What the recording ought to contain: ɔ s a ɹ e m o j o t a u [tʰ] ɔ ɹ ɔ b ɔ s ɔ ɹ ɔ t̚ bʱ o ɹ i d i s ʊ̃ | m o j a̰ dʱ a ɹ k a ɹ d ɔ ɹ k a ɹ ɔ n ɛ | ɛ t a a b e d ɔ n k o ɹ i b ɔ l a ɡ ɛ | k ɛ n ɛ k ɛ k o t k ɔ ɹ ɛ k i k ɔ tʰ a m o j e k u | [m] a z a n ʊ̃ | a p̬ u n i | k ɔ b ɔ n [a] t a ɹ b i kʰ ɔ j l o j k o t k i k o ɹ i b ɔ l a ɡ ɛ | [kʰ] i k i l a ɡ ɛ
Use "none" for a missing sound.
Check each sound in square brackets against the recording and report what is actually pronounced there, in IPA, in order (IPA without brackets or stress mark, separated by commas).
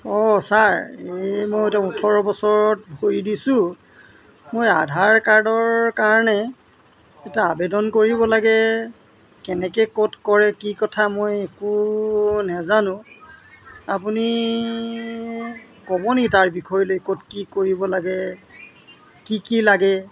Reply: tʰ, n, i, k